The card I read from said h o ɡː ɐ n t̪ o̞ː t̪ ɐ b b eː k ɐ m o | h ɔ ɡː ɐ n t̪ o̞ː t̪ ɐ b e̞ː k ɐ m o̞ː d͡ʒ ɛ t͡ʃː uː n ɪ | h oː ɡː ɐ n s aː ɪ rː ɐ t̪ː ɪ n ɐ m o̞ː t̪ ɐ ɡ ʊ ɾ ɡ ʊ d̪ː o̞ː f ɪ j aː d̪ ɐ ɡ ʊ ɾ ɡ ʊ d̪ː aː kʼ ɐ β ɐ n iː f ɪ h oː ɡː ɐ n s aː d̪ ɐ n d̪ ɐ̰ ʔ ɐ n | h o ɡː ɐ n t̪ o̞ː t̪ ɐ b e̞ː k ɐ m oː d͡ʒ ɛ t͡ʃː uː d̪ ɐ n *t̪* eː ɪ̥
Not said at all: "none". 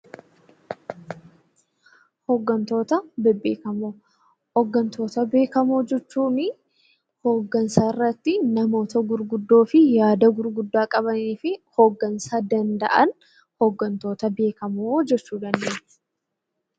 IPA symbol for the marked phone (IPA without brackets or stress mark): d̪